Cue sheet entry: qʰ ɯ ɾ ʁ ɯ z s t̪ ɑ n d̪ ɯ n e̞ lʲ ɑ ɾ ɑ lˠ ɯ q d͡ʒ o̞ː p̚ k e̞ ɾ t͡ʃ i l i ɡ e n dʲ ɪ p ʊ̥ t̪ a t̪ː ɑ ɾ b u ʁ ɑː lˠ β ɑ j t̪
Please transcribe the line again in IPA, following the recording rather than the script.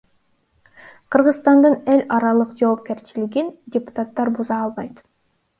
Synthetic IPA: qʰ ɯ ɾ ʁ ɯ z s t̪ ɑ n d̪ ɯ n e̞ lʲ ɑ ɾ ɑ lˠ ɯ q d͡ʒ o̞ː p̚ k e̞ ɾ t͡ʃ i l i ɡ i n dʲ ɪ p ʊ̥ t̪ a t̪ː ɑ ɾ b u z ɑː lˠ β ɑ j t̪